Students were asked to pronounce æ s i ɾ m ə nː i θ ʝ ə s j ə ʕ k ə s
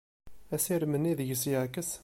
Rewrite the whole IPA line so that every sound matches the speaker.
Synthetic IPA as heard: æ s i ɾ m ə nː i ð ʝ ə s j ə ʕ k ə s